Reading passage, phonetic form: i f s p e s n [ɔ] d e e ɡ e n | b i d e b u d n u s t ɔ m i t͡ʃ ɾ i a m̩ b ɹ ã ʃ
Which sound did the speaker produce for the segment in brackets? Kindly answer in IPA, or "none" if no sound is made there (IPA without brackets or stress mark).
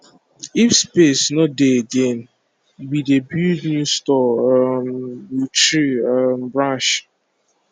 ɔ